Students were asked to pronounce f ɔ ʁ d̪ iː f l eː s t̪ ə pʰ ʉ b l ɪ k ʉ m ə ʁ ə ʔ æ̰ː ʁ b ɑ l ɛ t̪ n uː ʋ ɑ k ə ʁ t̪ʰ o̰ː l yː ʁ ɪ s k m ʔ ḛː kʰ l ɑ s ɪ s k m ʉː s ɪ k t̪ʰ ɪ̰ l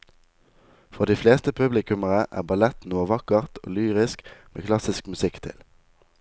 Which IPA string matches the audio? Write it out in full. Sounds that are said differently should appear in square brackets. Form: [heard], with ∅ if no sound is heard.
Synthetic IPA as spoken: f ɔ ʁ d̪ iː f l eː s t̪ ə pʰ ʉ b l ɪ k ʉ m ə ʁ ə ʔ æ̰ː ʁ b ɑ l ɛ t̪ n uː ʋ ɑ k ə ʁ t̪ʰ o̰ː l yː ʁ ɪ s k m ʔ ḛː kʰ l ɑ s ɪ s k m [ʉ] s ɪ k t̪ʰ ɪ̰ l